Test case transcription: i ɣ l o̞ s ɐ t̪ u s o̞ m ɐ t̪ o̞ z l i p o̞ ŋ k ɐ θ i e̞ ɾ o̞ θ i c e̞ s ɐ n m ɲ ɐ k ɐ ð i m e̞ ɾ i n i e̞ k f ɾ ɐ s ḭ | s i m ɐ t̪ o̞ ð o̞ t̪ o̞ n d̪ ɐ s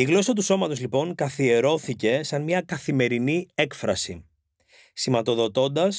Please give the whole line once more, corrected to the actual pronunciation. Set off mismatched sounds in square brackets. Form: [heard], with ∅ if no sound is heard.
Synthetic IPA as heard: i ɣ l o̞ s ɐ t̪ u s o̞ m ɐ t̪ o̞ z l i p o̞ ŋ k ɐ θ i e̞ ɾ o̞ θ i c e̞ s ɐ n m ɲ ɐ k ɐ [θ] i m e̞ ɾ i n i e̞ k f ɾ ɐ s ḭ | s i m ɐ t̪ o̞ ð o̞ t̪ o̞ n d̪ ɐ s